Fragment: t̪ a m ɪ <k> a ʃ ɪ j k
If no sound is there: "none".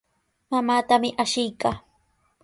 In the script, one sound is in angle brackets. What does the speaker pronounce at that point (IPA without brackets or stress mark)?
ʔ